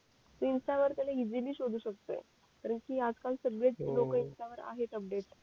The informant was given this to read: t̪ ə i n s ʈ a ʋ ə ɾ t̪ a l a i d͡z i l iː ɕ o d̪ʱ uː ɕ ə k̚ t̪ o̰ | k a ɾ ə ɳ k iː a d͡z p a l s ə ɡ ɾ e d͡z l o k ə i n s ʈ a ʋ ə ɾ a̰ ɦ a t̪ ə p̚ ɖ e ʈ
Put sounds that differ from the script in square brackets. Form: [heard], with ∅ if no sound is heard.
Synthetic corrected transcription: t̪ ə i n s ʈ a ʋ ə ɾ t̪ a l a i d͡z i l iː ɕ o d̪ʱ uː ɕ ə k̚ t̪ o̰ | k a ɾ ə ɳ k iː a d͡z [k] a l s ə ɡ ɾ e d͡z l o k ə i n s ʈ a ʋ ə ɾ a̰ ɦ [e] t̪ ə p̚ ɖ e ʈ